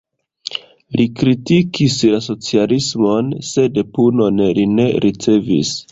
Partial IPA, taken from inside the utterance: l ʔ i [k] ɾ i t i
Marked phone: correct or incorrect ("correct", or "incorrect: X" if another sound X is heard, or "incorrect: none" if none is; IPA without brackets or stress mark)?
correct